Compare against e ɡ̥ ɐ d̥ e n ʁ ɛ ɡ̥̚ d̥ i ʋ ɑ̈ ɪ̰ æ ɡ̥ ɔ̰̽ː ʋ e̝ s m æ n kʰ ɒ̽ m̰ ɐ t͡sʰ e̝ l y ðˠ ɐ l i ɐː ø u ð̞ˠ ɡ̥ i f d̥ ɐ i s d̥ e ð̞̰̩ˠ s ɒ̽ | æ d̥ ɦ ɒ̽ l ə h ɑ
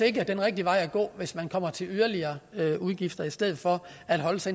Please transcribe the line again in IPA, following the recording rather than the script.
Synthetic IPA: e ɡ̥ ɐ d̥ e n ʁ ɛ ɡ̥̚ d̥ i ʋ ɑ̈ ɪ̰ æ ɡ̥ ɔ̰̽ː ʋ e̝ s m æ n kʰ ɒ̽ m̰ ɐ t͡sʰ e̝ l y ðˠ ɐ l i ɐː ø u ð̞ˠ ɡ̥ i f d̥ ɐ i s d̥ e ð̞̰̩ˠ f ɒ̽ | æ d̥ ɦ ɒ̽ l ə s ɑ